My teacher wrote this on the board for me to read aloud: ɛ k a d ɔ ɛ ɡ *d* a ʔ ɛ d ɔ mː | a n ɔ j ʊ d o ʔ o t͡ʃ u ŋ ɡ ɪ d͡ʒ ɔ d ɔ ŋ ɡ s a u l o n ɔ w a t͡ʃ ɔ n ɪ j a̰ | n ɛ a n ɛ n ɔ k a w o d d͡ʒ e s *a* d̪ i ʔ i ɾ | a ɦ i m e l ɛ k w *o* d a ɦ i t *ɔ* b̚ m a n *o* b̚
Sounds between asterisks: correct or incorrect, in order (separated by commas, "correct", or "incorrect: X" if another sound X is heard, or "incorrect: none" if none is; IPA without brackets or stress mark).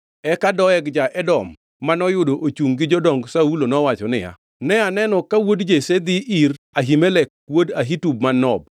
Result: incorrect: d͡ʒ, incorrect: e, correct, incorrect: u, incorrect: ɔ